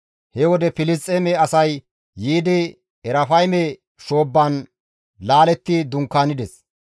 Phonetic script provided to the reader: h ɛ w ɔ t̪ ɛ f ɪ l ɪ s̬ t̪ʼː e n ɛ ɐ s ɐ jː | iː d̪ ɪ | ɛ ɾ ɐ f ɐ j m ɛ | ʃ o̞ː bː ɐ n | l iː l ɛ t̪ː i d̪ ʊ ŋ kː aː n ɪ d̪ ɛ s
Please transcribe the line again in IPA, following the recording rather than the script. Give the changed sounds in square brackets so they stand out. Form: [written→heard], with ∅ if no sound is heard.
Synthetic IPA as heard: h ɛ w ɔ [t̪→d̪] ɛ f ɪ l ɪ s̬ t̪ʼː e [n→m] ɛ ɐ s ɐ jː | iː d̪ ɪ | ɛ ɾ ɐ f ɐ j m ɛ | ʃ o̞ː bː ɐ n | l [iː→aː] l ɛ t̪ː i d̪ ʊ ŋ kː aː n ɪ d̪ ɛ s